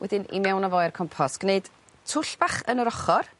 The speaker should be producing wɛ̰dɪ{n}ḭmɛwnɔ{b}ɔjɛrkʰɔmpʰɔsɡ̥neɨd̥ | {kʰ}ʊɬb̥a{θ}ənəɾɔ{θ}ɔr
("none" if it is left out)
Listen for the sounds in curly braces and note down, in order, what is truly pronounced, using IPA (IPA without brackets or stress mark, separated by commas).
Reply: n, v, tʰ, χ, χ